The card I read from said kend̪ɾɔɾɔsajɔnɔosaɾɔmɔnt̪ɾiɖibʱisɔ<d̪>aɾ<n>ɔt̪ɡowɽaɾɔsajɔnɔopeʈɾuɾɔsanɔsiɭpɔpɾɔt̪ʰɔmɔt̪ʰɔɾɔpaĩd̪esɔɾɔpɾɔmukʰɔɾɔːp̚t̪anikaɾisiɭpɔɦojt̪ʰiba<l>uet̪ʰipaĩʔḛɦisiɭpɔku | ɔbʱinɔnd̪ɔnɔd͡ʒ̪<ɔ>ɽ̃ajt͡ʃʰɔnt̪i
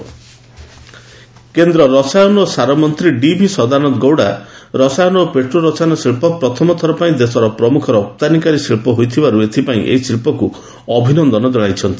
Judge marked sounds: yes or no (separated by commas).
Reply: yes, yes, no, yes